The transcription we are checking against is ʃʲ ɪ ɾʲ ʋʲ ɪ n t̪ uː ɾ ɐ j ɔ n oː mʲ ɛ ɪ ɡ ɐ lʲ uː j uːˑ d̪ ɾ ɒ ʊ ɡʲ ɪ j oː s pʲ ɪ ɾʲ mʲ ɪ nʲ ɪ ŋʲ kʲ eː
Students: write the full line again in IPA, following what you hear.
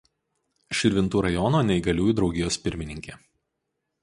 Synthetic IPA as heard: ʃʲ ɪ ɾʲ ʋʲ ɪ n t̪ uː ɾ ɐ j ɔ n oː nʲ ɛ ɪ ɡ ɐ lʲ uː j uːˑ d̪ ɾ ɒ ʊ ɡʲ ɪ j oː s pʲ ɪ ɾʲ mʲ ɪ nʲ ɪ ŋʲ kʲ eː